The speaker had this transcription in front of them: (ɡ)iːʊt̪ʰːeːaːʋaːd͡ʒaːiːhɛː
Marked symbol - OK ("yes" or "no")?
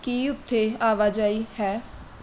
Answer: no